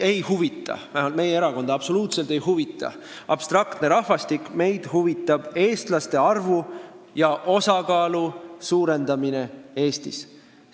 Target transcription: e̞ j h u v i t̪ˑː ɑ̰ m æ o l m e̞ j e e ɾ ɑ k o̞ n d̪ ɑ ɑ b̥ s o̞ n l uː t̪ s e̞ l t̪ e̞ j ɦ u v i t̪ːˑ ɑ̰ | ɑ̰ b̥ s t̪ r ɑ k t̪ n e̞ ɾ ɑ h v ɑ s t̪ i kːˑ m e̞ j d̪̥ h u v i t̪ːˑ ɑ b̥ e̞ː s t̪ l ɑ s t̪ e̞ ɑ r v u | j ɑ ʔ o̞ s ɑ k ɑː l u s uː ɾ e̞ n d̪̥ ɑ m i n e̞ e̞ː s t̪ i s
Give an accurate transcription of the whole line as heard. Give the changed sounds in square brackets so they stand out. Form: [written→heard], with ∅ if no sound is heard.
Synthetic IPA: e̞ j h u v i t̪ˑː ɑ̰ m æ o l m e̞ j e e ɾ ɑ k o̞ n d̪ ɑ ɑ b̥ s o̞ [n→∅] l uː t̪ s e̞ l t̪ e̞ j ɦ u v i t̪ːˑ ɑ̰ | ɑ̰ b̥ s t̪ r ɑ k t̪ n e̞ ɾ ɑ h v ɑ s t̪ i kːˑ m e̞ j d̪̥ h u v i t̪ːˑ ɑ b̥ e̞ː s t̪ l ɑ s t̪ e̞ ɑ r v u | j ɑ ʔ o̞ s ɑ k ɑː l u s uː ɾ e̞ n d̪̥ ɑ m i n e̞ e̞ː s t̪ i s